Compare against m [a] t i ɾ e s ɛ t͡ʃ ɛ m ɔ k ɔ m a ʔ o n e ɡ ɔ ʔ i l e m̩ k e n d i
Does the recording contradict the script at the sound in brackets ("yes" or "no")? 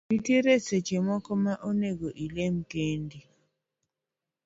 yes